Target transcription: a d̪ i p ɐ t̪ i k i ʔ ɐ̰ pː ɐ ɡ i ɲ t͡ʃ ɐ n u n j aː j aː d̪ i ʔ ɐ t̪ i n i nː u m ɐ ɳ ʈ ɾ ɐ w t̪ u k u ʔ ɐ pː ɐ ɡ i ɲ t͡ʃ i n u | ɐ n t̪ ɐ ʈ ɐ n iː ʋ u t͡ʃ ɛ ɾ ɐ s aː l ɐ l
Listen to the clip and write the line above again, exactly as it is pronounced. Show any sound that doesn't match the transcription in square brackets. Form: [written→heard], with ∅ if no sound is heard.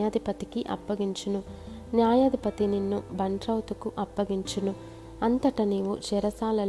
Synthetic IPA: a d̪ i p ɐ t̪ i k i ʔ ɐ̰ pː ɐ ɡ i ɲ t͡ʃ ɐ n u n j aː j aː d̪ i [ʔ→p] ɐ t̪ i n i nː u [m→b] ɐ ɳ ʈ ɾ ɐ w t̪ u k u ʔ ɐ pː ɐ ɡ i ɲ t͡ʃ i n u | ɐ n t̪ ɐ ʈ ɐ n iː ʋ u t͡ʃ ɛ ɾ ɐ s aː l ɐ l